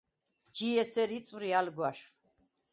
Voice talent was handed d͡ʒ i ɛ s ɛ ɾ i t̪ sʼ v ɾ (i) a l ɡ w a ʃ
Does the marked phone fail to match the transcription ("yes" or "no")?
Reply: no